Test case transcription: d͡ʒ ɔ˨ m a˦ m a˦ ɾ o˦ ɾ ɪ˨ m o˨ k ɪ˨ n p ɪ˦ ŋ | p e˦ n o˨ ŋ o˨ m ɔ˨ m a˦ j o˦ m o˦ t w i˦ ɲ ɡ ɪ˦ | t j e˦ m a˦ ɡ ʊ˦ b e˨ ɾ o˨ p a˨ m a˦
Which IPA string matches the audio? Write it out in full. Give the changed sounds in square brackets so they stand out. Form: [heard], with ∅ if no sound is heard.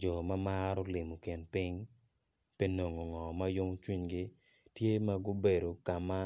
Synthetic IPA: d͡ʒ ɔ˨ m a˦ m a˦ ɾ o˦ [l] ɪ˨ m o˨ k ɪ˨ n p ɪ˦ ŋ | p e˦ n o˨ ŋ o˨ [ŋ] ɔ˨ m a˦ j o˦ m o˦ [t͡ʃ] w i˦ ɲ ɡ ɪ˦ | t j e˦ m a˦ ɡ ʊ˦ b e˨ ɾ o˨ [k] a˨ m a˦

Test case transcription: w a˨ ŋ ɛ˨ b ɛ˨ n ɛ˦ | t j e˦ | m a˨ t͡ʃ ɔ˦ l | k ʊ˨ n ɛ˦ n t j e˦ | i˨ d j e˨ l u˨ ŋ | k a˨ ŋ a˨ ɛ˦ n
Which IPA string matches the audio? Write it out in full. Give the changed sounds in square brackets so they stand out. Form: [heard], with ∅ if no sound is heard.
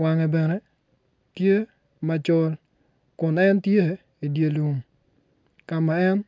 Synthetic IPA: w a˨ ŋ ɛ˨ b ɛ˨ n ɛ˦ | t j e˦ | m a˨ t͡ʃ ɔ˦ l | k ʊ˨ n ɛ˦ n t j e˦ | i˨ d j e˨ l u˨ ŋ | k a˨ [m] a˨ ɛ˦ n

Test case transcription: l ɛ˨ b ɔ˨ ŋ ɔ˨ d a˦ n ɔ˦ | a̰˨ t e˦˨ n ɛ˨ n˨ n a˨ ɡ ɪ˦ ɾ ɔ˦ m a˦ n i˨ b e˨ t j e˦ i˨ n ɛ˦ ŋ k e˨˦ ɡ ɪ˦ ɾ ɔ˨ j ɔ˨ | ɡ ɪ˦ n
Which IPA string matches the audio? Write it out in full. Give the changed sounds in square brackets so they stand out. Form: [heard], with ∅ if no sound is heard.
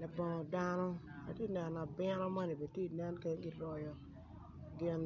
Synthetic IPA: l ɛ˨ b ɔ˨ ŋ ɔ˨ d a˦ n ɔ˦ | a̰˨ t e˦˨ n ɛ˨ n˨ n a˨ [b] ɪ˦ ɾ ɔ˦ m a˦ n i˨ b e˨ t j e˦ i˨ n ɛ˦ [n] k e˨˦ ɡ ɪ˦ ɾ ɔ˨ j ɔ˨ | ɡ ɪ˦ n

